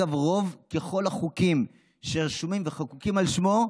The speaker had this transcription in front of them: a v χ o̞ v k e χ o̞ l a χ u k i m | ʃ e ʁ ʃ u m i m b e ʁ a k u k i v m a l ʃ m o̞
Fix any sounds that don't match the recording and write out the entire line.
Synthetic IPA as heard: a v ʁ o̞ v k e χ o̞ l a χ u k i m | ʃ e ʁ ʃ u m i m v e χ a k u k i m a l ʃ m o̞